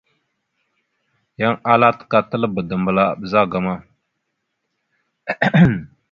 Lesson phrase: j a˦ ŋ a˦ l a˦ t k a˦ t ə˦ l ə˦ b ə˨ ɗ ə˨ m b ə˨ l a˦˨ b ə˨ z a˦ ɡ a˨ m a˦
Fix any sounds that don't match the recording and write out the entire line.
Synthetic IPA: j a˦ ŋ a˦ l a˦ t k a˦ t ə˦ l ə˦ b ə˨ d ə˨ m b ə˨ l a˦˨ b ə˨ z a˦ ɡ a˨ m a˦